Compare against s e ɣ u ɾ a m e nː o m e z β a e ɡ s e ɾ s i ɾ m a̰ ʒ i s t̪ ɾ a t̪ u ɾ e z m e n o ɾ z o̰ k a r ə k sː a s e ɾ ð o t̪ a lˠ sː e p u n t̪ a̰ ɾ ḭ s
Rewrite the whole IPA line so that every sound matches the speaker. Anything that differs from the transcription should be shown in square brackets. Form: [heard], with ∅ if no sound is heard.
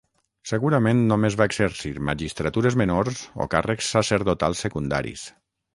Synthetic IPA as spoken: s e ɣ u ɾ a m e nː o m e z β a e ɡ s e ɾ s i ɾ m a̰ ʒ i s t̪ ɾ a t̪ u ɾ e z m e n o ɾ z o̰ k a r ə k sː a s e ɾ ð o t̪ a lˠ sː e [k] u n [d̪] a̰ ɾ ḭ s